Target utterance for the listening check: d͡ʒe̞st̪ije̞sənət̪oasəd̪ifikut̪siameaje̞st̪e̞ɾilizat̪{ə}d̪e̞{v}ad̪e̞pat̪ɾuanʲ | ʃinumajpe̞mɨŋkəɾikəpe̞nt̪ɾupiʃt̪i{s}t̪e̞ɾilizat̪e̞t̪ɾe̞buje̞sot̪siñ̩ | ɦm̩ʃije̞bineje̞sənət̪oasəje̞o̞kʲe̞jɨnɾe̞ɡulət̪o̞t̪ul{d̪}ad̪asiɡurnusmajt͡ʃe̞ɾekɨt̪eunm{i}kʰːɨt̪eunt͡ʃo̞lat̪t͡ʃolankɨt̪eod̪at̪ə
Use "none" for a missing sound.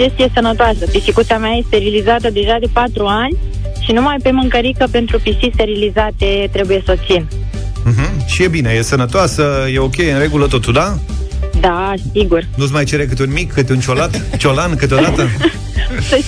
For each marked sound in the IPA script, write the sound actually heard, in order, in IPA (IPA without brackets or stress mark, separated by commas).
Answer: ə, ʒ, s, d̪, i